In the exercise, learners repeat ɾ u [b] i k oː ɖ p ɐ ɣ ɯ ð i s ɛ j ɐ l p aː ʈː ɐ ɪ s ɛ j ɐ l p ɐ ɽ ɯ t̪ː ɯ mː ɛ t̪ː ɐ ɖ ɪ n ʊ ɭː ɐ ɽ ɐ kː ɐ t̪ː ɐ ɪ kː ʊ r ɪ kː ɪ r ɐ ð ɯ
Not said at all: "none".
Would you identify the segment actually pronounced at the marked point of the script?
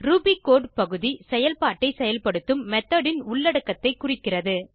b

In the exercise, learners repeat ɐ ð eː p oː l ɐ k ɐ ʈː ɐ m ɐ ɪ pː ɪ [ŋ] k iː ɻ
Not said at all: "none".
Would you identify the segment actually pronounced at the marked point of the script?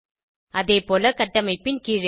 n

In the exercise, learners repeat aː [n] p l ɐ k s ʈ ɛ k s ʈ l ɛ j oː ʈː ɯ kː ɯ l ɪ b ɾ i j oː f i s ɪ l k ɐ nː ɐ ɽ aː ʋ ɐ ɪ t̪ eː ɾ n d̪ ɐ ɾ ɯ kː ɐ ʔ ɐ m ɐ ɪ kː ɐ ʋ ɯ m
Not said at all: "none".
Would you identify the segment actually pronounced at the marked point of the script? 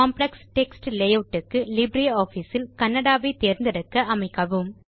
m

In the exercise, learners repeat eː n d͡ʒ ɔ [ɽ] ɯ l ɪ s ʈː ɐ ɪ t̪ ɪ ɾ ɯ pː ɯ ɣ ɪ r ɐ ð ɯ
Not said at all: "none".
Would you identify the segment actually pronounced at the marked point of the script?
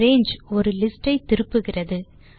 ɾ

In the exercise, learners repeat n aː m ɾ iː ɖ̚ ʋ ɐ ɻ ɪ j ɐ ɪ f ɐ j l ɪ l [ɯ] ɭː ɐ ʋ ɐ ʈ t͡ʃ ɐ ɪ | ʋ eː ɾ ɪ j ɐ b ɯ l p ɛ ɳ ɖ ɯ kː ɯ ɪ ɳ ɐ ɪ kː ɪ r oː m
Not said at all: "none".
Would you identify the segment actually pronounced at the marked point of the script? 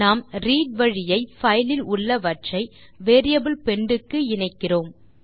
ʊ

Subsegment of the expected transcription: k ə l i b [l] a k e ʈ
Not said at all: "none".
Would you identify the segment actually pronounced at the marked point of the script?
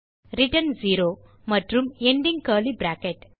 ɾ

